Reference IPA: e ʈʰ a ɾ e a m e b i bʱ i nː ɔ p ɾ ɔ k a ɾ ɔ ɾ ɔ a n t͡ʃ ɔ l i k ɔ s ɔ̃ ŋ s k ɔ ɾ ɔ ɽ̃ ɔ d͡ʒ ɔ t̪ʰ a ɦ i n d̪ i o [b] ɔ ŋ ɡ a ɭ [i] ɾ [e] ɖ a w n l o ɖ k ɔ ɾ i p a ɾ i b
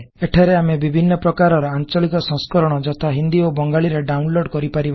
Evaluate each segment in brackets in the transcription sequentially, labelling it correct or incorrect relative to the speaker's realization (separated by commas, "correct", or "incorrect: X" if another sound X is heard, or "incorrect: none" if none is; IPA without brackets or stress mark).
correct, correct, correct